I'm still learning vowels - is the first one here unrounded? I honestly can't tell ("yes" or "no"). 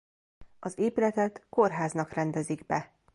no